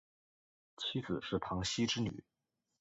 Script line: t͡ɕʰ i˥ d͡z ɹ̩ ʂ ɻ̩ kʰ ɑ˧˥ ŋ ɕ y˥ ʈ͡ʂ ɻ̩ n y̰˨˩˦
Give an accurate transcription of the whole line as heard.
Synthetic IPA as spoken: t͡ɕʰ i˥ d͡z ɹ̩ ʂ ɻ̩ pʰ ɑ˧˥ ŋ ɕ i˥ ʈ͡ʂ ɻ̩ n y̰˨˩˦